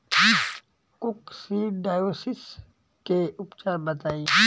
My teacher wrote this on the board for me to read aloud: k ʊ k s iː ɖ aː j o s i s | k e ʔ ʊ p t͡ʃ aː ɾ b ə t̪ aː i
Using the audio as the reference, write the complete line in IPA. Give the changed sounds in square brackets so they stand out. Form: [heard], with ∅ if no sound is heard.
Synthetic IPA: k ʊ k s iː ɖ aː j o s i s | k e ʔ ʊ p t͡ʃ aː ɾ b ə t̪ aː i